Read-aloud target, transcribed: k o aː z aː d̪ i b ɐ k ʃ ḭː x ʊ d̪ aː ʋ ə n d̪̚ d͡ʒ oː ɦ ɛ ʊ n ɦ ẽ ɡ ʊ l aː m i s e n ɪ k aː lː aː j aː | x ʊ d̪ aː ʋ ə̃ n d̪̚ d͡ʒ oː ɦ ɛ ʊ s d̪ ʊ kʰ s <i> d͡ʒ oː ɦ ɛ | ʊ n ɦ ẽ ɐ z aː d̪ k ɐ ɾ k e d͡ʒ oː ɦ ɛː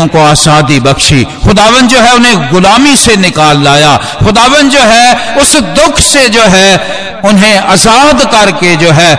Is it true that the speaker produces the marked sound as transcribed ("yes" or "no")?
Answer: no